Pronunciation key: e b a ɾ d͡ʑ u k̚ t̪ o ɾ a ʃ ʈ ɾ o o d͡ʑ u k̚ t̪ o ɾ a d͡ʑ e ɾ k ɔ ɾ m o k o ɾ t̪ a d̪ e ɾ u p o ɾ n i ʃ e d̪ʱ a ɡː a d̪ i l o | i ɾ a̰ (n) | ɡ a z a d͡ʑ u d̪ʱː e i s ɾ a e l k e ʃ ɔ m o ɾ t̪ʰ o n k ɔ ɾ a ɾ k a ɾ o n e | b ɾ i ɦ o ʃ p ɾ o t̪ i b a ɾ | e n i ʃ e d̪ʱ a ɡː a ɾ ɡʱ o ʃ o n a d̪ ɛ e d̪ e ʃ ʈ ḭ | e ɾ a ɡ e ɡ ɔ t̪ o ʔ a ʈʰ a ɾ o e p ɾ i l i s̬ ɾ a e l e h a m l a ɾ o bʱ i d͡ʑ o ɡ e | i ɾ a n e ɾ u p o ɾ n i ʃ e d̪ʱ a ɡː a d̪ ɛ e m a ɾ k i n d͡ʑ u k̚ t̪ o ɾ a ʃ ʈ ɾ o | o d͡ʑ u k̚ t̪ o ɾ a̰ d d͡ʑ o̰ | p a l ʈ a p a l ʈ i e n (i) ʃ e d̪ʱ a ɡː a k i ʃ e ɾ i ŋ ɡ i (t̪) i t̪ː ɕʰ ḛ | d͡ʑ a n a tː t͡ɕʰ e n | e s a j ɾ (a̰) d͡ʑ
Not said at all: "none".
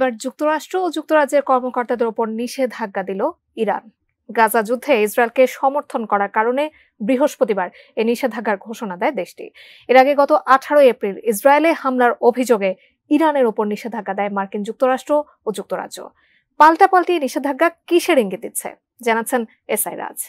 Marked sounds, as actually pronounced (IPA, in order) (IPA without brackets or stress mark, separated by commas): n, i, d̪, a̰